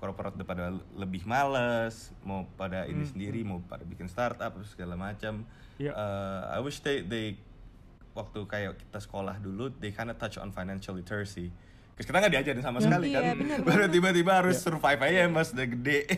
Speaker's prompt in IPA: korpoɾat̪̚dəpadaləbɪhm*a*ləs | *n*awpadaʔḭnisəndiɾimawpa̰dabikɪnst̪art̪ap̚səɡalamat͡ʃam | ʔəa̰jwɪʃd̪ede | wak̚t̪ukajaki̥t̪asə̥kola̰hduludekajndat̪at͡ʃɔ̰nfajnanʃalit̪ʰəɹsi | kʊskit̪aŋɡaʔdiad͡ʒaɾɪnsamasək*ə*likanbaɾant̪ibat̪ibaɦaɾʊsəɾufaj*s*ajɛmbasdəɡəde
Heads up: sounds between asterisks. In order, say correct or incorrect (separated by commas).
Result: correct, incorrect, incorrect, incorrect